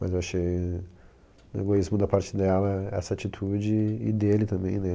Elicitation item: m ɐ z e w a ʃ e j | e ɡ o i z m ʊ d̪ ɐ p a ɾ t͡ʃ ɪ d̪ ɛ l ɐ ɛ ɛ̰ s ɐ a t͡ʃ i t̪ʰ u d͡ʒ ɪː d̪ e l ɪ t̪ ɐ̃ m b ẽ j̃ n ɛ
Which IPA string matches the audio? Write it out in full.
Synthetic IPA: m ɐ z e w a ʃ e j | e ɡ o i z m ʊ d̪ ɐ p a ɾ t͡ʃ ɪ d̪ ɛ l ɐ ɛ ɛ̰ s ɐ a t͡ʃ i t̪ʰ u d͡ʒ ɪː d̪ e l ɪ t̪ ɐ̃ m b ẽ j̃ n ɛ